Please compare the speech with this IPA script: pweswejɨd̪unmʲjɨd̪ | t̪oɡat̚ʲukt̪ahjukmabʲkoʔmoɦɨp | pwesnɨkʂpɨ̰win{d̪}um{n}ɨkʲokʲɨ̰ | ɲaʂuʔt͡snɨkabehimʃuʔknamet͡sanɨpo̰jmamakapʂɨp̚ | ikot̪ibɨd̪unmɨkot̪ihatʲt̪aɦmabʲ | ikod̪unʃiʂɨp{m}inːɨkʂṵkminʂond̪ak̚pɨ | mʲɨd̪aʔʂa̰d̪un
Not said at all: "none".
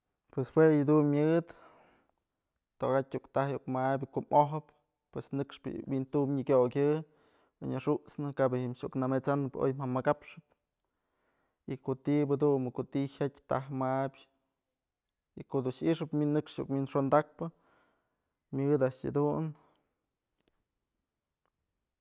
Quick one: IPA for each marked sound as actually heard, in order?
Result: t̪, ɲ, m

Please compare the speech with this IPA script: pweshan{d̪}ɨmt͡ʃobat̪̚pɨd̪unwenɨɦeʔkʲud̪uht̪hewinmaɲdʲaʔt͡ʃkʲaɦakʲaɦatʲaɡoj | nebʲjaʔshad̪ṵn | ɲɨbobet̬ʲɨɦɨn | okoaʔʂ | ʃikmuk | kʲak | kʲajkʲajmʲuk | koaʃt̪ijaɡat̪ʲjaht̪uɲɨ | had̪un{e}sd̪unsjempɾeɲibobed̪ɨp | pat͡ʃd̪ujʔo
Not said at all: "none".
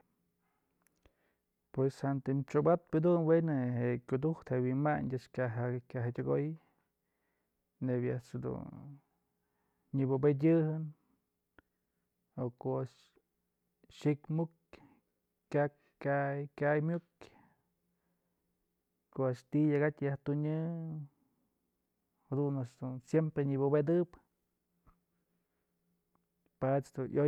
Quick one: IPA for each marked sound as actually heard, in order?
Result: t̪, a

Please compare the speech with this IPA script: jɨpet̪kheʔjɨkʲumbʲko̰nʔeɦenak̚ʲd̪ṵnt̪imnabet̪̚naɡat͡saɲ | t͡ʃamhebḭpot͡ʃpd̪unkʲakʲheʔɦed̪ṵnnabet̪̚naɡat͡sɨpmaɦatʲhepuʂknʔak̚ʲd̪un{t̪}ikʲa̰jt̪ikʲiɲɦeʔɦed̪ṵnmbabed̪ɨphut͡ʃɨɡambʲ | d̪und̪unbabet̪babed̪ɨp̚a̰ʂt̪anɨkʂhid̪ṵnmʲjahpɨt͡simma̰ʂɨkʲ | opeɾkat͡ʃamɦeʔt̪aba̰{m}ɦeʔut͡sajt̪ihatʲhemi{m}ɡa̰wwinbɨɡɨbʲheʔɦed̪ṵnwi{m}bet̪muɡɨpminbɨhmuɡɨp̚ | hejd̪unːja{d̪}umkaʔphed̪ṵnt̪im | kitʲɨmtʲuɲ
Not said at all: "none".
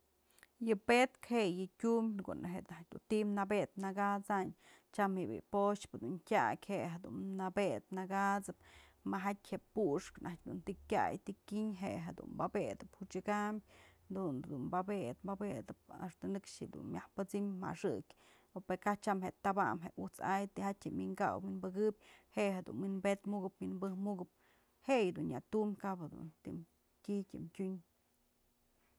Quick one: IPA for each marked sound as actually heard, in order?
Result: t̪, m, ŋ, n, t̪

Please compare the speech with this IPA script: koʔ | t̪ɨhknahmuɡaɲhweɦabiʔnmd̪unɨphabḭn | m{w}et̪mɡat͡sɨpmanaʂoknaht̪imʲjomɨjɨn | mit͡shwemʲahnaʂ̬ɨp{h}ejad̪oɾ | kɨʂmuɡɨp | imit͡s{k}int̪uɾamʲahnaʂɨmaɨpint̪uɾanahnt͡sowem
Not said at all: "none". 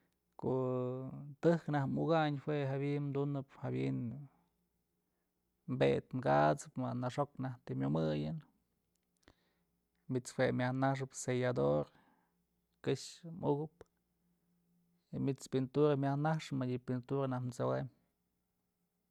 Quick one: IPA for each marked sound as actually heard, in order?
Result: b, s, p

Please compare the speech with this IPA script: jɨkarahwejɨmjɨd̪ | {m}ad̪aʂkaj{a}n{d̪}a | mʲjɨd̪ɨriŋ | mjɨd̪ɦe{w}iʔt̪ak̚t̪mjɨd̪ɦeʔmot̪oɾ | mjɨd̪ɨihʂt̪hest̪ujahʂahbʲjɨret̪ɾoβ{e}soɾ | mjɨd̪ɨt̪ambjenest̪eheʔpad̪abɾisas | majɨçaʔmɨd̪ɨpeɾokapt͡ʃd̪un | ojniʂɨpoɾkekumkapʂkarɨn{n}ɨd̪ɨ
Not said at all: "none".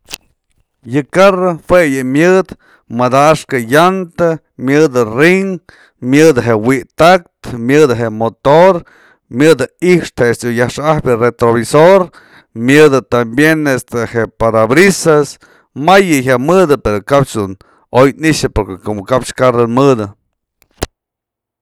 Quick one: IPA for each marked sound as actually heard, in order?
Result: m, a, t̪, w, i, m

